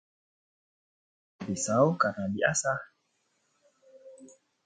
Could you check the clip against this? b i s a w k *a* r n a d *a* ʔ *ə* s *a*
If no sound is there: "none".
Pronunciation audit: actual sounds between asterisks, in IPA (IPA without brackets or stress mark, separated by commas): a, i, a, a